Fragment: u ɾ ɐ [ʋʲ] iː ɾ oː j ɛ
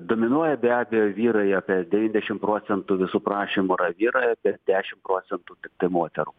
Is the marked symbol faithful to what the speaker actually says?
yes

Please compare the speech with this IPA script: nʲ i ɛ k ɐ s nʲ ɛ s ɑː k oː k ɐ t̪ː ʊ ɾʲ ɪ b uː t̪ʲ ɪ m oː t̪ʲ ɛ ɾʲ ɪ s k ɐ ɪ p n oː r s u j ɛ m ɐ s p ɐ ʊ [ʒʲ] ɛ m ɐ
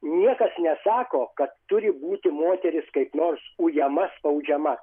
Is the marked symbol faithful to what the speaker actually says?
no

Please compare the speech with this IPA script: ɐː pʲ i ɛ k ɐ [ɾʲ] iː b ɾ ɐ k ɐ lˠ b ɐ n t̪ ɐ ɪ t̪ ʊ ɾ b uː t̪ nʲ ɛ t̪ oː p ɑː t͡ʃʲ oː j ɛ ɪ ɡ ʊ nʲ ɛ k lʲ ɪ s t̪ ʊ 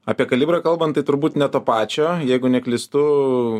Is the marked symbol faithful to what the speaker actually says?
no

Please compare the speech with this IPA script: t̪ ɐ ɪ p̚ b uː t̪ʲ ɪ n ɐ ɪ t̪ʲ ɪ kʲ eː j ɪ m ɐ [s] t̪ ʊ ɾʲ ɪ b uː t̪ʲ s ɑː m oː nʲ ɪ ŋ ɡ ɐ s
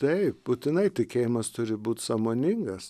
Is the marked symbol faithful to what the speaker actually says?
yes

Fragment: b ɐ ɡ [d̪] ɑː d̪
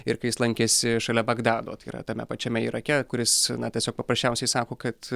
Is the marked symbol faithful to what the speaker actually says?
yes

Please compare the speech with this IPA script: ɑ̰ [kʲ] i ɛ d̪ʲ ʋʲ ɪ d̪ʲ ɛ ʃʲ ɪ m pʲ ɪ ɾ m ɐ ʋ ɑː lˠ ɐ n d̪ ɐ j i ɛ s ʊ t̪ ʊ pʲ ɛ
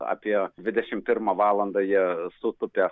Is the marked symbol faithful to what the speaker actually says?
no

